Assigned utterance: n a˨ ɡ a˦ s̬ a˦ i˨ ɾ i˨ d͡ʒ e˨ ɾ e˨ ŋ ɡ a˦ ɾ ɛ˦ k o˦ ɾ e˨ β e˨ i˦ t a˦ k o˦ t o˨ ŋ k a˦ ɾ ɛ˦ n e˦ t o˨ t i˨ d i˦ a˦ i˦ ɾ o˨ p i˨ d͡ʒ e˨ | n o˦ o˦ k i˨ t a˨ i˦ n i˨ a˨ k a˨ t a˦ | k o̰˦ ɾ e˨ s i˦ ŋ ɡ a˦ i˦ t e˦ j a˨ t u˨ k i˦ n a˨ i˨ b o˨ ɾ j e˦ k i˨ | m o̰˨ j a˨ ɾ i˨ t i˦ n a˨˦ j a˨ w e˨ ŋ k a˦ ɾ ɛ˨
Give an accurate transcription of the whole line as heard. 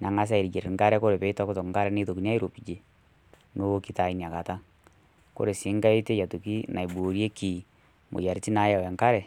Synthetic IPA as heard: n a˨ ŋ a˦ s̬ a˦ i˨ ɾ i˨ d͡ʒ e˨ ɾ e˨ ŋ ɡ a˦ ɾ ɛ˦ k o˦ ɾ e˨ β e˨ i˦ t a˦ k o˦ t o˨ ŋ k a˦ ɾ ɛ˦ n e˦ t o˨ k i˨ n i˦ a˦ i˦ ɾ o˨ p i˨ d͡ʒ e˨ | n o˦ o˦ k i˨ t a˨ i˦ n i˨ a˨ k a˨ t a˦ | k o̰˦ ɾ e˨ s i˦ ŋ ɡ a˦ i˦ t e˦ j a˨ t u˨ k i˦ n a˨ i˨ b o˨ ɾ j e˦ k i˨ | m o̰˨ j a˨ ɾ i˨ t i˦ n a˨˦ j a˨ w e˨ ŋ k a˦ ɾ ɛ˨